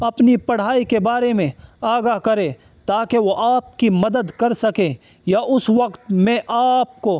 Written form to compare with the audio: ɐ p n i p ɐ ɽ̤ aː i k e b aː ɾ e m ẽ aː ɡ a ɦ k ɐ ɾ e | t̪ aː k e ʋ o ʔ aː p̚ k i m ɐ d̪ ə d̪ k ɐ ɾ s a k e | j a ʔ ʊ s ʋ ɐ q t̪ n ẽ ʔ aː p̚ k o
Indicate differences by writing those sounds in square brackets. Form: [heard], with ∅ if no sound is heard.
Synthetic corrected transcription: ɐ p n i p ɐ ɽ̤ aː i k e b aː ɾ e m ẽ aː ɡ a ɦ k ɐ ɾ e | t̪ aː k e ʋ o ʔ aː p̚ k i m ɐ d̪ ə d̪ k ɐ ɾ s [ɐ] k e | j a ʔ ʊ s ʋ ɐ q t̪ [m] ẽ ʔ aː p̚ k o